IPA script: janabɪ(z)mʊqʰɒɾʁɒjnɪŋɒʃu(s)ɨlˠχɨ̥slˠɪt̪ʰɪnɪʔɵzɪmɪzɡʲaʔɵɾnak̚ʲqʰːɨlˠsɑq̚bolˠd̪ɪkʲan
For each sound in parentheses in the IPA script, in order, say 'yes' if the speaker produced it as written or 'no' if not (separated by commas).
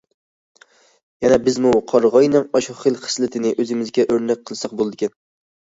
yes, no